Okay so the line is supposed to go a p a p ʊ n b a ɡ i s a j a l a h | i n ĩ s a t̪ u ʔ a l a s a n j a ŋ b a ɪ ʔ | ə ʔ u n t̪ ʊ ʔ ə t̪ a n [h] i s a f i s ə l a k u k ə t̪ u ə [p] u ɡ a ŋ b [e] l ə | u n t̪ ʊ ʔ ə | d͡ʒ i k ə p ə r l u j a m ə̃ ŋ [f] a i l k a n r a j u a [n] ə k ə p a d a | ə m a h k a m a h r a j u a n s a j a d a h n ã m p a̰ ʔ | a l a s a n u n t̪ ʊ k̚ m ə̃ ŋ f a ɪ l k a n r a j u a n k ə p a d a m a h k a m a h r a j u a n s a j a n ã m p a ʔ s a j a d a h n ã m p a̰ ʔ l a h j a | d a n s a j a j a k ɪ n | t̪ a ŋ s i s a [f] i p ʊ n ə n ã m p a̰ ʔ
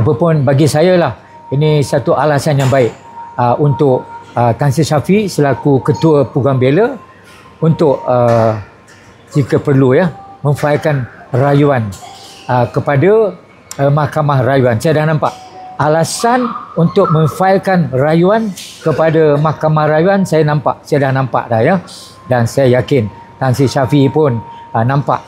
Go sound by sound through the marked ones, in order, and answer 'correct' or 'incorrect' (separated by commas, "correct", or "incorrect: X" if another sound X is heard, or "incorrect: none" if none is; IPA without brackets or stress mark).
incorrect: s, correct, correct, correct, correct, correct